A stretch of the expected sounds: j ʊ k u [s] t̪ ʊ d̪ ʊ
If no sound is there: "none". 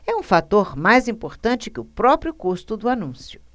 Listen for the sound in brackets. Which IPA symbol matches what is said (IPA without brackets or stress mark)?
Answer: s